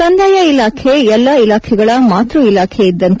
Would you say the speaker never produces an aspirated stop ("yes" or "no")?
no